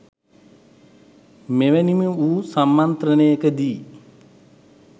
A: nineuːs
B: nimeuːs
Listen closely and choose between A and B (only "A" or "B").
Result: B